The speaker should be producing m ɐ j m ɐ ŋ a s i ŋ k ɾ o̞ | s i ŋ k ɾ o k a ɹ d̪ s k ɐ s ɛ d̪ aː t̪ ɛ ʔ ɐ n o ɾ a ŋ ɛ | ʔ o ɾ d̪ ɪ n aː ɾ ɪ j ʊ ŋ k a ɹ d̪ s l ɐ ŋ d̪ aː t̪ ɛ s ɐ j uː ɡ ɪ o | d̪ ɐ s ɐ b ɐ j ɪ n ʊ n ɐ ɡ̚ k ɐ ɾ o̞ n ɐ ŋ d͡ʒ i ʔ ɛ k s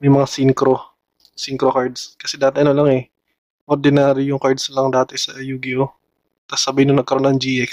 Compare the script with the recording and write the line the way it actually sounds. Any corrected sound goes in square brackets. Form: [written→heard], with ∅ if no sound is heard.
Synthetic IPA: m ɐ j m ɐ ŋ a s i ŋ k ɾ o̞ | s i ŋ k ɾ o k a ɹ d̪ s k ɐ s ɛ d̪ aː t̪ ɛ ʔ ɐ n o [ɾ→l] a ŋ ɛ | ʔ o ɾ d̪ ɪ n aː ɾ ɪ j ʊ ŋ k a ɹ d̪ s l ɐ ŋ d̪ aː t̪ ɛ s ɐ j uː ɡ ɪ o | [d̪→t̪] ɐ s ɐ b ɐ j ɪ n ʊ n ɐ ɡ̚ k ɐ ɾ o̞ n ɐ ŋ d͡ʒ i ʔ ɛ k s